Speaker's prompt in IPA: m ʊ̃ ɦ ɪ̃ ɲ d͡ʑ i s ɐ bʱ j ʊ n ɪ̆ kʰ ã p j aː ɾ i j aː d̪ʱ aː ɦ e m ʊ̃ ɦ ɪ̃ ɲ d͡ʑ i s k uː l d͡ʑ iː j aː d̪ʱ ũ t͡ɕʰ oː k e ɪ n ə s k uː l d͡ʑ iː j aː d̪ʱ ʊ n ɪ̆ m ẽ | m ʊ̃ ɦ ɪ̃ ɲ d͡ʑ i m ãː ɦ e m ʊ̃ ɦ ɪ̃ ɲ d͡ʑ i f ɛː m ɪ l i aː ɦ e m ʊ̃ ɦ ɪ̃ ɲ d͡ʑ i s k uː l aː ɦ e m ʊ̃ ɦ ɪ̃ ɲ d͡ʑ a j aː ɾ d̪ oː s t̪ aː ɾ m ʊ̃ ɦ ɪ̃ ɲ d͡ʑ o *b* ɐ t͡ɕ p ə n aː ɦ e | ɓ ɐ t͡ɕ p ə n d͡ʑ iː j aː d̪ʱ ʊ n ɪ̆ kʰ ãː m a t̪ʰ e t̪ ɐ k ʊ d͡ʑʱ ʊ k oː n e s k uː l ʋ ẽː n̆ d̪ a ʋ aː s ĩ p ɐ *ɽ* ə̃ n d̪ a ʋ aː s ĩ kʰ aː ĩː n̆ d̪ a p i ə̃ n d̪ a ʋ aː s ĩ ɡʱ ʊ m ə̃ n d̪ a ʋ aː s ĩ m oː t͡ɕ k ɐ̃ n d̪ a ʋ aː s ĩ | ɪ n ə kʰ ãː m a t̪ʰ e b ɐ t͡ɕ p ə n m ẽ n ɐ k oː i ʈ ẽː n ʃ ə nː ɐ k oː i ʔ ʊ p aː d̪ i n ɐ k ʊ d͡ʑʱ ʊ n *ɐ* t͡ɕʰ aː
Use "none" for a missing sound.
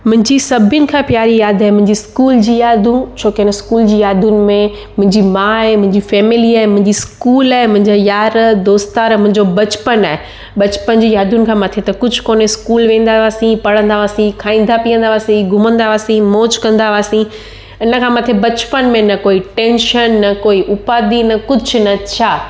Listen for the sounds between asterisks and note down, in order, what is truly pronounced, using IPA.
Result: b, ɽ, ɐ

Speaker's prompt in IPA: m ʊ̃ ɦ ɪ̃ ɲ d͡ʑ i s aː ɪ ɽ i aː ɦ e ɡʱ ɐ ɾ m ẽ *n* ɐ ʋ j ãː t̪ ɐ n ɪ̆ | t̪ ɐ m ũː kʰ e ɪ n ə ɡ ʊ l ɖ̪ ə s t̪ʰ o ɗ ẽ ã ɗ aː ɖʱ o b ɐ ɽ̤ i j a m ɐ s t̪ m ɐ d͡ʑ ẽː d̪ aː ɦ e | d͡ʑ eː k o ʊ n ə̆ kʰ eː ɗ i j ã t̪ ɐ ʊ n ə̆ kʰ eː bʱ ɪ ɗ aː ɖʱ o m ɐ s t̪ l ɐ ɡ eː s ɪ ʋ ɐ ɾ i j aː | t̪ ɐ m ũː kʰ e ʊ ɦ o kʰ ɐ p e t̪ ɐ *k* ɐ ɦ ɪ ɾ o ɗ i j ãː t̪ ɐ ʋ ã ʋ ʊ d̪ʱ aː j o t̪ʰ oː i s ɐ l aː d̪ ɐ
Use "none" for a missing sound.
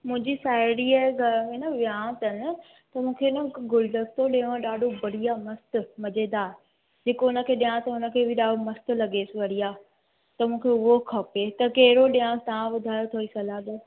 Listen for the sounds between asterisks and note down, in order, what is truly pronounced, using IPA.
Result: n, k

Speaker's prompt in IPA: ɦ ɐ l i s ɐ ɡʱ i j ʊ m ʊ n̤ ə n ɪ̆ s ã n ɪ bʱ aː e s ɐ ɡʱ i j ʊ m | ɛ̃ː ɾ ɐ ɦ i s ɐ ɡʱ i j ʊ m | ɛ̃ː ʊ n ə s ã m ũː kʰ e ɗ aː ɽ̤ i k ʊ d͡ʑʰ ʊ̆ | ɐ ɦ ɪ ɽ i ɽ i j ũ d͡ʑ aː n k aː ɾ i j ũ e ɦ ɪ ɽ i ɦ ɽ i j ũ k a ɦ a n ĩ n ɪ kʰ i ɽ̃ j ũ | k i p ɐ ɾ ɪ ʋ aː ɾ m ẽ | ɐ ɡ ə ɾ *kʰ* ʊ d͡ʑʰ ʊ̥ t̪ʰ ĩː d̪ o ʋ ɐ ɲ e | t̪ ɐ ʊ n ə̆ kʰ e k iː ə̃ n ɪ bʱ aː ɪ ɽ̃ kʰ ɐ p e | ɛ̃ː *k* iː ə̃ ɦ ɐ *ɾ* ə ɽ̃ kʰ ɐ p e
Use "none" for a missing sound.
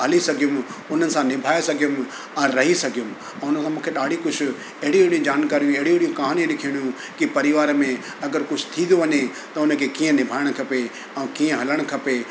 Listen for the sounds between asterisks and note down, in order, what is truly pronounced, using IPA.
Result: k, k, l

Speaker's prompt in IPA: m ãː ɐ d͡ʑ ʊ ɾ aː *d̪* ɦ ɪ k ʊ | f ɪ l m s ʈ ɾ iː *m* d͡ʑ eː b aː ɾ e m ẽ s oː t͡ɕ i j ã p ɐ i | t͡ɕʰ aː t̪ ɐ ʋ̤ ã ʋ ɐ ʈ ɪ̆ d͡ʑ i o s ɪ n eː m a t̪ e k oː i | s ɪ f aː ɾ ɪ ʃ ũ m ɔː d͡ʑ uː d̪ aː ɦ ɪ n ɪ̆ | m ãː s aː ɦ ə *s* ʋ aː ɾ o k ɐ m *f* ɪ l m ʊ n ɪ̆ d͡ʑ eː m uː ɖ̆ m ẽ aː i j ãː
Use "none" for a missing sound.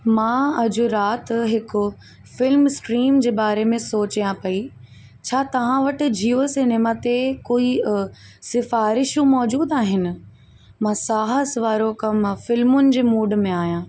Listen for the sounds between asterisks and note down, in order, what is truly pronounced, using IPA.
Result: t̪, m, s, f

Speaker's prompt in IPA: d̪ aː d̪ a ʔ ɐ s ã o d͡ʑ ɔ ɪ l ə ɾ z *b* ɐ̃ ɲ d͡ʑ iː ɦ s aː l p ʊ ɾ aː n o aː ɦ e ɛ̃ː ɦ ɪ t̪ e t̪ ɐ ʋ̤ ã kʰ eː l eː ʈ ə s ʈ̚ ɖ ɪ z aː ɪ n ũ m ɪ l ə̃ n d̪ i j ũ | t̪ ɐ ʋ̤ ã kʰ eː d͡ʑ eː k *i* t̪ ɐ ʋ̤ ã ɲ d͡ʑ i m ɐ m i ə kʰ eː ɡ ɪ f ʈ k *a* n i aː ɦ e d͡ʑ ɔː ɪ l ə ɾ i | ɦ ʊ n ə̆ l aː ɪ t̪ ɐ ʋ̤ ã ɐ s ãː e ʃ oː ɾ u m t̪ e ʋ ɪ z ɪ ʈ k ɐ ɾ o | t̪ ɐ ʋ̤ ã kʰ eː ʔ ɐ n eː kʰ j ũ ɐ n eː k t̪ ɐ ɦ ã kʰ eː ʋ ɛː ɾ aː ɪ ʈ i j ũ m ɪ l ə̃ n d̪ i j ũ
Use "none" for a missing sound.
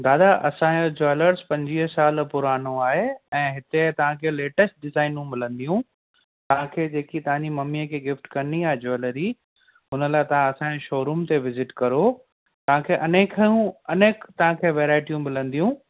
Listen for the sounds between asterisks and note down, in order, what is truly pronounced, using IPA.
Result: p, i, ɐ

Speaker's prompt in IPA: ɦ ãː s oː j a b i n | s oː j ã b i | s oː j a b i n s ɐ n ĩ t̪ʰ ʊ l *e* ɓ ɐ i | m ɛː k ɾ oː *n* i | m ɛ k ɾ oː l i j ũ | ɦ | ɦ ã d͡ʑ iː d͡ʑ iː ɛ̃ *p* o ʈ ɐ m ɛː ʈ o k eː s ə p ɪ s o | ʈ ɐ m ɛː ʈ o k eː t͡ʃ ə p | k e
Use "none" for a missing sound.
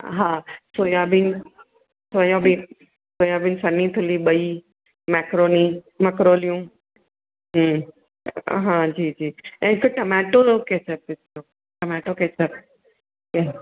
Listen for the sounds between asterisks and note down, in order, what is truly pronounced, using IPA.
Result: i, n, k

